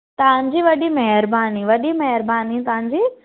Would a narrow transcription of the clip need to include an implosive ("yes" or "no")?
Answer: yes